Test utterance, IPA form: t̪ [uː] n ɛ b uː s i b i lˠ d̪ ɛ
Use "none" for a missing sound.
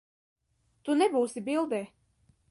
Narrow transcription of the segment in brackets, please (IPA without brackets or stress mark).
u